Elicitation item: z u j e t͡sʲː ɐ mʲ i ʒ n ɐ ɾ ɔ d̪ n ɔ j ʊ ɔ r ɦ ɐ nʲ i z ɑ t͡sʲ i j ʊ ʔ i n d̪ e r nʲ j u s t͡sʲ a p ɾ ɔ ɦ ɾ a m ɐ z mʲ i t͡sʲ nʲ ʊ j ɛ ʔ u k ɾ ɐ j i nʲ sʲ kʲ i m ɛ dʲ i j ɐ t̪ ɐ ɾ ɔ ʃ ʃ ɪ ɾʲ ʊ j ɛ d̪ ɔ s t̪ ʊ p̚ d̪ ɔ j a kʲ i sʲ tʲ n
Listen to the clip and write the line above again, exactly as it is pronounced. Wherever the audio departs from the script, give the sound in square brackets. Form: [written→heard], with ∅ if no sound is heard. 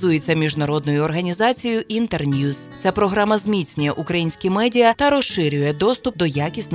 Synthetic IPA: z u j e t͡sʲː ɐ mʲ i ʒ n ɐ ɾ ɔ d̪ n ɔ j ʊ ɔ r ɦ ɐ nʲ i z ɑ t͡sʲ i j ʊ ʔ i n [d̪→t̪] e r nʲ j u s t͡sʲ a p ɾ ɔ ɦ ɾ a m ɐ z mʲ i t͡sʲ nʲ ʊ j ɛ ʔ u k ɾ ɐ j i nʲ sʲ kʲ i m ɛ dʲ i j ɐ t̪ ɐ ɾ ɔ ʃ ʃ ɪ ɾʲ ʊ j ɛ d̪ ɔ s t̪ ʊ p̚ d̪ ɔ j a kʲ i sʲ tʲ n